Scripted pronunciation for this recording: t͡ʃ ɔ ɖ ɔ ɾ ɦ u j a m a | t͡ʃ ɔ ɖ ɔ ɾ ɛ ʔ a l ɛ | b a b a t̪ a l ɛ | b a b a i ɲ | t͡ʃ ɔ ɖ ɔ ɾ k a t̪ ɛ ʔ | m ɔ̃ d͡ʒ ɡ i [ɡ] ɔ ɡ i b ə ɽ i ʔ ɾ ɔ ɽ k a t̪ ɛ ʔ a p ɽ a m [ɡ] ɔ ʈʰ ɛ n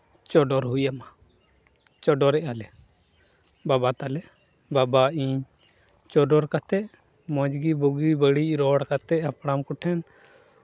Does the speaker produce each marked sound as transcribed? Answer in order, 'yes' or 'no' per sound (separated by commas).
no, no